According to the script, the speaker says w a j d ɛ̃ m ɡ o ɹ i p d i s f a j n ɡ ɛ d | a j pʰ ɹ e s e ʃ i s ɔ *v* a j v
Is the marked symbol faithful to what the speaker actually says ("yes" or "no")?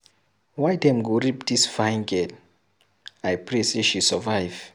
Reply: yes